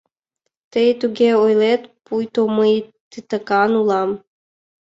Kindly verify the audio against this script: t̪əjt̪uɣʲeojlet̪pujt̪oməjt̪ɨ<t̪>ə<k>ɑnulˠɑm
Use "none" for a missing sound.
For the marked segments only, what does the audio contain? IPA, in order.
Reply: t̪, k

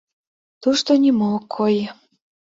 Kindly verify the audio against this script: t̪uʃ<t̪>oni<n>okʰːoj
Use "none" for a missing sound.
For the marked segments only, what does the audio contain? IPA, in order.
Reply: t̪, m

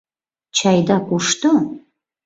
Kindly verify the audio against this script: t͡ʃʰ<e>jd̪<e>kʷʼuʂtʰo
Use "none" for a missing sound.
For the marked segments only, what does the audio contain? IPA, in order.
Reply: a, a

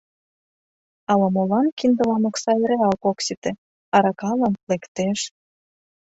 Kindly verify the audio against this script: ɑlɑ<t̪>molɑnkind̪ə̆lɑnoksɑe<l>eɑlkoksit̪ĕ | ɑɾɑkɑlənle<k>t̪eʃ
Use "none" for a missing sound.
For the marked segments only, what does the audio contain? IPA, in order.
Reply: none, ɾ, k

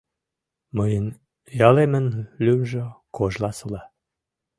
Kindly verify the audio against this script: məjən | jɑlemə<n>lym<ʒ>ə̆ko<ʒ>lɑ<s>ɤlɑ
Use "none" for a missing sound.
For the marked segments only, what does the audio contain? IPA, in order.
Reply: n, ʒ, ʒ, s

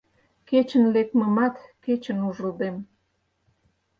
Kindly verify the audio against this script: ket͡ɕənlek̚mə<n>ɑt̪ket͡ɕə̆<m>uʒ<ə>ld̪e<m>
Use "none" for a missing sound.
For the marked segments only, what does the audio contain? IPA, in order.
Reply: m, n, ə, m

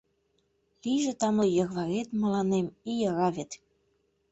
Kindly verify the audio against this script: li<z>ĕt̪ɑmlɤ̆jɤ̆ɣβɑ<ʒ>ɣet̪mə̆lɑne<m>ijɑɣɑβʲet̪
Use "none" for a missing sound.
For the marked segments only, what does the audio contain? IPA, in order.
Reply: ʒ, none, m

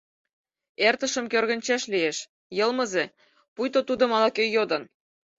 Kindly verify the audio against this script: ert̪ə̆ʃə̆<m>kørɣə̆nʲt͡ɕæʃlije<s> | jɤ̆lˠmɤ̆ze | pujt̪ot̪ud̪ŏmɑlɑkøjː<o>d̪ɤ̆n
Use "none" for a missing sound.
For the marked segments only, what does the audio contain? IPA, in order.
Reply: m, ʃ, o

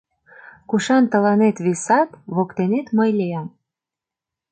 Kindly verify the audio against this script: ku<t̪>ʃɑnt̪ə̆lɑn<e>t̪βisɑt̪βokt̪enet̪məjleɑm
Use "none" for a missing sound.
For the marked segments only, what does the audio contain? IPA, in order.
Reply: none, e

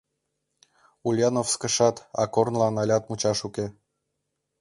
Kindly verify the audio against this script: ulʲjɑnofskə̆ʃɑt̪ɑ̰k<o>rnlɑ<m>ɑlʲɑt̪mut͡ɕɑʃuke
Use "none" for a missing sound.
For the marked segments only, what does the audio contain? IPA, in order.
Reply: o, n

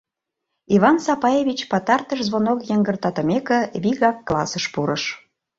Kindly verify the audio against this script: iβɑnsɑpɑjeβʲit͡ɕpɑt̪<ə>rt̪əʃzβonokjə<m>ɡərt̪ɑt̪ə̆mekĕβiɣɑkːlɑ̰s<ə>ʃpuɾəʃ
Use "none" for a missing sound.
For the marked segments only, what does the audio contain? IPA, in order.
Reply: ɑ, ŋ, ə

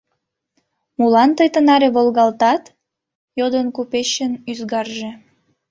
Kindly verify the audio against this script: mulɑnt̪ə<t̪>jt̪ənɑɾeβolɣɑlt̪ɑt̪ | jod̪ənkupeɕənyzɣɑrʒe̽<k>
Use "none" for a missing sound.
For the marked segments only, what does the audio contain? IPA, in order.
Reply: none, none

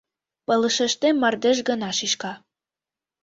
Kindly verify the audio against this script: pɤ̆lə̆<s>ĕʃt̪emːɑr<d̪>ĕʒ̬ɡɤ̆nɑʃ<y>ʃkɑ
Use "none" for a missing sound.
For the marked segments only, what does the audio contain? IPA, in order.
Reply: ʃ, d̪, i

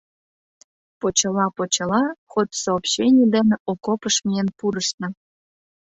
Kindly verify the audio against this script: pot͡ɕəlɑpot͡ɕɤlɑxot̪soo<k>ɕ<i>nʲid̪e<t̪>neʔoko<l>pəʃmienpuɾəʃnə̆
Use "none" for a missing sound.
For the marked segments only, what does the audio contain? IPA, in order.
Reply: p, e, none, none

